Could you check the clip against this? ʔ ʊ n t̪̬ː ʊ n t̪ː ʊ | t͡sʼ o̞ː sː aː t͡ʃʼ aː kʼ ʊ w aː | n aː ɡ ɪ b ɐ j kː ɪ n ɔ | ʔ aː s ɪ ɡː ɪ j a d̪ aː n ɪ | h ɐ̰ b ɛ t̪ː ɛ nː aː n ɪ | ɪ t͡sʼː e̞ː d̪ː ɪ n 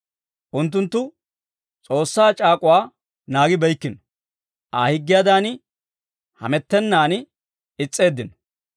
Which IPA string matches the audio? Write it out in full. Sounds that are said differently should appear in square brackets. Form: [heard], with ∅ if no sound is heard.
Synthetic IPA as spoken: ʔ ʊ n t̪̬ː ʊ n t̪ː ʊ | t͡sʼ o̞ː sː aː t͡ʃʼ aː kʼ ʊ w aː | n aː ɡ ɪ b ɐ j kː ɪ n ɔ | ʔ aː [h] ɪ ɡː ɪ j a d̪ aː n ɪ | h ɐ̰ [m] ɛ t̪ː ɛ nː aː n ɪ | ɪ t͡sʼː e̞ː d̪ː ɪ n